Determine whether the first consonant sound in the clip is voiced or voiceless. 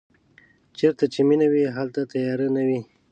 voiceless